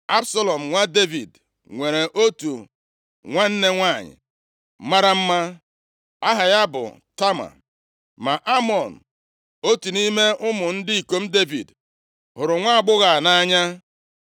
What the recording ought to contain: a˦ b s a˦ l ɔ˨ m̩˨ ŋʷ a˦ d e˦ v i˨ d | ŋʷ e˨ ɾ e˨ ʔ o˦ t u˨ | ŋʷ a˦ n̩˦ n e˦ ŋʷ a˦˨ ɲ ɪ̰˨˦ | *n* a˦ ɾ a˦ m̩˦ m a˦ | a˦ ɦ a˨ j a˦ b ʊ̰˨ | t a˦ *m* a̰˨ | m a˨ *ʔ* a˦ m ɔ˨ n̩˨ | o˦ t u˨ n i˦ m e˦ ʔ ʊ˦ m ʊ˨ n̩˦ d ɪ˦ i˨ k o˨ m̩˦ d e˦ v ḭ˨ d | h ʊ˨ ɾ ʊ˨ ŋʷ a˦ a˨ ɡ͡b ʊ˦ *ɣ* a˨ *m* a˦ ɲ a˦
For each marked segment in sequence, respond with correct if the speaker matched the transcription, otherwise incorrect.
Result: incorrect, correct, correct, correct, incorrect

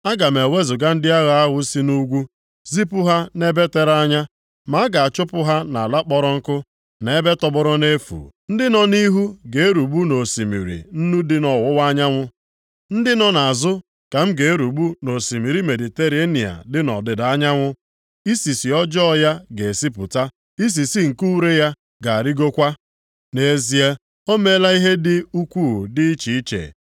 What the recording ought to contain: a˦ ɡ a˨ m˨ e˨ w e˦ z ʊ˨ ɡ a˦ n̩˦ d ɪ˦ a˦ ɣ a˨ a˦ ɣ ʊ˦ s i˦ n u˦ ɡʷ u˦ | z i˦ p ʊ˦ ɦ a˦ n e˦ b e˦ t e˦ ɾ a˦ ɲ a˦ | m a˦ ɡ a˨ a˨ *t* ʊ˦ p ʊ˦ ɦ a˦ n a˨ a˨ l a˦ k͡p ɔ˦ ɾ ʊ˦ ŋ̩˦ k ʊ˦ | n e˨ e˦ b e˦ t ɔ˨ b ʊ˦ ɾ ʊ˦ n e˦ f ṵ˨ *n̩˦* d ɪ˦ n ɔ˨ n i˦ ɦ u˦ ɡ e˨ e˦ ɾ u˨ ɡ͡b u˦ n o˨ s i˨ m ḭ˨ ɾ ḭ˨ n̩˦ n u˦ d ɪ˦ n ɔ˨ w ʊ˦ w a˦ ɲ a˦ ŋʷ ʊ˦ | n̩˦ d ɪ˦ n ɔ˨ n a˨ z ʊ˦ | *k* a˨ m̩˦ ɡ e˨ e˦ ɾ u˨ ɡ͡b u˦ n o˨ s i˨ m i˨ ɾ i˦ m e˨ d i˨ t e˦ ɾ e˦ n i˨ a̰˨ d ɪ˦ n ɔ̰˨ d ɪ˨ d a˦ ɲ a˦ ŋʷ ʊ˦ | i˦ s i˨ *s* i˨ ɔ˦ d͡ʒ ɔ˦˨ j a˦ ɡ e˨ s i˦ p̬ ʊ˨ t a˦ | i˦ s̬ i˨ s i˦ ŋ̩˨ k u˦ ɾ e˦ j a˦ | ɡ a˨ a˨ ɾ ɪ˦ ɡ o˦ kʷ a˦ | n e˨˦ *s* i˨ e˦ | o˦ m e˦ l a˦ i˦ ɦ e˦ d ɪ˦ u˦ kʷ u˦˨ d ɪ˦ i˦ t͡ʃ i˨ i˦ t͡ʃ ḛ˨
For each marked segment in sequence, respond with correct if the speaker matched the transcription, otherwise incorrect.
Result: incorrect, correct, correct, correct, incorrect

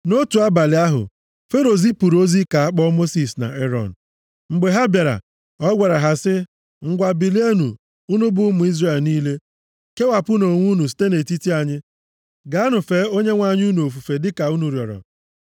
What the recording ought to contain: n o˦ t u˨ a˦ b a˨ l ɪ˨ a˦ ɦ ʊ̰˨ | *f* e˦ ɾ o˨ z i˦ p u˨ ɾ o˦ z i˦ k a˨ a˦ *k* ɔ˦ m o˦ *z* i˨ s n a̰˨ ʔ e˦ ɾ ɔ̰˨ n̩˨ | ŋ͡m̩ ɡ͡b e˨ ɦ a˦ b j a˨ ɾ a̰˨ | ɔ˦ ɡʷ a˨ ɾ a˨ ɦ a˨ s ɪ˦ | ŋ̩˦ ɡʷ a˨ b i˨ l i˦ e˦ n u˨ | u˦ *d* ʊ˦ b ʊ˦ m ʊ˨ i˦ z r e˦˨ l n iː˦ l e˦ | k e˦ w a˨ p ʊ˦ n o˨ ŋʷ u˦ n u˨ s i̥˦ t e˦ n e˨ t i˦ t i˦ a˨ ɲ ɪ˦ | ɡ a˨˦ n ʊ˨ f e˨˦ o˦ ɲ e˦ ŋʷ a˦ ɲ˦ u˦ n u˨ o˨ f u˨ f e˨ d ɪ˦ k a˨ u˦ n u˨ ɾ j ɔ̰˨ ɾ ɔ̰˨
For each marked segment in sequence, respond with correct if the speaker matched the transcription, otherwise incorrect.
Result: correct, incorrect, incorrect, incorrect

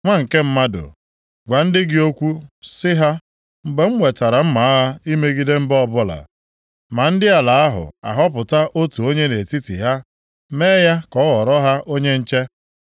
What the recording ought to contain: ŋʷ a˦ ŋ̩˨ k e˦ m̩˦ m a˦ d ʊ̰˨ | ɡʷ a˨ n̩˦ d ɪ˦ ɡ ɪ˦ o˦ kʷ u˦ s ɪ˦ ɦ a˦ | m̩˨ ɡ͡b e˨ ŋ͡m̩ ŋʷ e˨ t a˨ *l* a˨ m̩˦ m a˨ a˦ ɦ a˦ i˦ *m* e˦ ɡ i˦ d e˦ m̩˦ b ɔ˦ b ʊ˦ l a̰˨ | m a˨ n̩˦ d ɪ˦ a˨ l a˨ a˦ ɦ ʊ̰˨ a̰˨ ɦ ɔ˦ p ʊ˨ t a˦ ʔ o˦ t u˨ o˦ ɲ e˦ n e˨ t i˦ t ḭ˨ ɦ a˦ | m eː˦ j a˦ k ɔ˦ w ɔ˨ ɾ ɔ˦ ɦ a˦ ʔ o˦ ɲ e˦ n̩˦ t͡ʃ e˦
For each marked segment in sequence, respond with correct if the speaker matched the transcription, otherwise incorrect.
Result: incorrect, correct

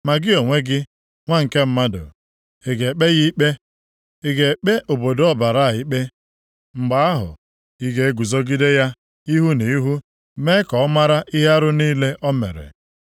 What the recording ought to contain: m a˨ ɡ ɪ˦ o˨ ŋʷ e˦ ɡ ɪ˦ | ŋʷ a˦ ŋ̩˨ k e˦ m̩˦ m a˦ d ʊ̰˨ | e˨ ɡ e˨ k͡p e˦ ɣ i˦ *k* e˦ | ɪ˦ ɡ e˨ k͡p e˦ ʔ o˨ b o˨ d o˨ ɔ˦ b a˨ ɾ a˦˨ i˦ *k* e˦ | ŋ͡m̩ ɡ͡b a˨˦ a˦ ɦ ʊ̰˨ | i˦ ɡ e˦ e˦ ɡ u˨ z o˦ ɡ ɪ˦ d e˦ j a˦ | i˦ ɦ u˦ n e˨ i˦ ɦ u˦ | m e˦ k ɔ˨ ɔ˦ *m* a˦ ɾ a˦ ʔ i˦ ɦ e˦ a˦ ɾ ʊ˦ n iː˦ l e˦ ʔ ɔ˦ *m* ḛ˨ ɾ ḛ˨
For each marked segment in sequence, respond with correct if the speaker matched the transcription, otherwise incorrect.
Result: incorrect, incorrect, correct, correct

